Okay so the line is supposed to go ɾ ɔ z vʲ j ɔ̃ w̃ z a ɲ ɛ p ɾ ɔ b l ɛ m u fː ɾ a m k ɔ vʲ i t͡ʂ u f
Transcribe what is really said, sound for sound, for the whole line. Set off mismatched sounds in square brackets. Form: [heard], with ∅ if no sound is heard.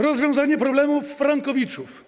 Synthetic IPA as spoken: ɾ ɔ z vʲ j ɔ̃ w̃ z a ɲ ɛ p ɾ ɔ b l ɛ m u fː ɾ a [ŋ] k ɔ vʲ i t͡ʂ u f